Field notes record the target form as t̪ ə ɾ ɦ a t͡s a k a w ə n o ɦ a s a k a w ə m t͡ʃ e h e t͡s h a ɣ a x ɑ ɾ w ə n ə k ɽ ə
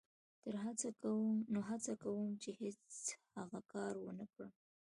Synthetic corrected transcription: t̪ ə ɾ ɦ a t͡s a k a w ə n o ɦ a t͡s a k a w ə m t͡ʃ e h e t͡s h a ɣ a k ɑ ɾ w ə n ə k ɽ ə